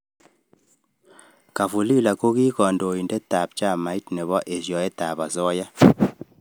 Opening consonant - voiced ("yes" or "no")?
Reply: no